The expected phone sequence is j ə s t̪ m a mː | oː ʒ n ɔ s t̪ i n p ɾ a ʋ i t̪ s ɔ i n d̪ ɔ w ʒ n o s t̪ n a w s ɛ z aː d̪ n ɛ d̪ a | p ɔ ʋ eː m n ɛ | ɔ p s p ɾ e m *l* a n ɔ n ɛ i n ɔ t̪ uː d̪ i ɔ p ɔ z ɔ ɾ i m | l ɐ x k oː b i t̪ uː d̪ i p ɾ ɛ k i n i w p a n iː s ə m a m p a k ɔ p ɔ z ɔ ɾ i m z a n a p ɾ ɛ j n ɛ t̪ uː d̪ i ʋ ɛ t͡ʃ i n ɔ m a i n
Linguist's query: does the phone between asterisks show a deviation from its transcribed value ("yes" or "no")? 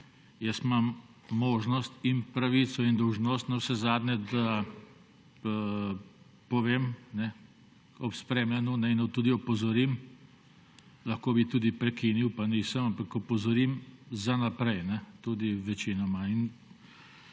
no